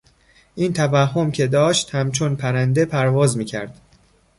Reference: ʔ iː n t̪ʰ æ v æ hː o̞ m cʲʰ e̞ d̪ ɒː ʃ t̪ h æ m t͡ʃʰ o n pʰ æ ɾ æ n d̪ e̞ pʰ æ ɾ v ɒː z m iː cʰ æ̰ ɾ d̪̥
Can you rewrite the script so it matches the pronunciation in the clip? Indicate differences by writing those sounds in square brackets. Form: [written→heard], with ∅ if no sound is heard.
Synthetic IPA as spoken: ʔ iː n t̪ʰ æ v æ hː o̞ m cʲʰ e̞ d̪ ɒː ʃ t̪ h æ m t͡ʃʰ o n pʰ æ ɾ æ n d̪ e̞ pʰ æ ɾ v ɒː z m iː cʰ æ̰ ɾ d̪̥